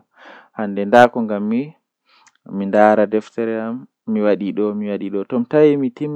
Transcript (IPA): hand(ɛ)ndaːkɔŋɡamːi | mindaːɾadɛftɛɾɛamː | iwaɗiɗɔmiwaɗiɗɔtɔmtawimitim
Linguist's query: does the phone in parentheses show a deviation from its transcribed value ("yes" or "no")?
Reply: no